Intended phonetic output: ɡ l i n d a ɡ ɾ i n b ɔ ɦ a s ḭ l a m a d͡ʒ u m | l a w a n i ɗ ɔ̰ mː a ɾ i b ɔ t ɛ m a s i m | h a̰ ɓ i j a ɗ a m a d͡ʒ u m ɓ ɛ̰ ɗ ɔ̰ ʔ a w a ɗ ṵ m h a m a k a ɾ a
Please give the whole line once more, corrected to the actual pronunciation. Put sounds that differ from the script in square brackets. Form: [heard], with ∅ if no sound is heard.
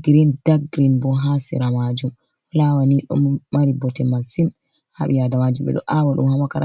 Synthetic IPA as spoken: ɡ [ɾ] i n d a ɡ ɾ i n b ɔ ɦ a s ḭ [ɾ] a m a d͡ʒ u m | l a w a n i ɗ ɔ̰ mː a ɾ i b ɔ t ɛ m a s i [n] | h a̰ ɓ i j a [d] a m a d͡ʒ u m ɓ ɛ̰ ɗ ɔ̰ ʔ a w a ɗ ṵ m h a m a k a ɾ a